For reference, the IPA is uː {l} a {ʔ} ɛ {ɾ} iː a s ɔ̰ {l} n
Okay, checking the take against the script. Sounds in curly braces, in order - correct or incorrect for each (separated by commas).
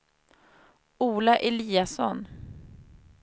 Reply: correct, correct, incorrect, incorrect